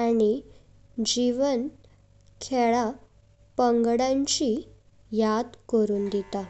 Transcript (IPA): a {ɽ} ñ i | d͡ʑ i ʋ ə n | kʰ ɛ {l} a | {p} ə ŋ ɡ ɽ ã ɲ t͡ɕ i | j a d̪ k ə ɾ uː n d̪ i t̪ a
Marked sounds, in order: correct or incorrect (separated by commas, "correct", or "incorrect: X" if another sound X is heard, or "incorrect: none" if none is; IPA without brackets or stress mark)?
incorrect: none, incorrect: ɭ, correct